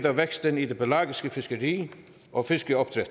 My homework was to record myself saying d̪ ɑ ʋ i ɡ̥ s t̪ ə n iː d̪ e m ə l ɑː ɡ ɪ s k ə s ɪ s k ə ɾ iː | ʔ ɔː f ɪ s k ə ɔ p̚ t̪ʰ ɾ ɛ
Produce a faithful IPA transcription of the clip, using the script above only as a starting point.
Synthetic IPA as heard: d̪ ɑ ʋ ɛ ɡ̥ s t̪ ə n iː d̪ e b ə l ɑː ɡ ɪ s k ə f ɪ s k ə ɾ iː | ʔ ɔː f ɪ s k ə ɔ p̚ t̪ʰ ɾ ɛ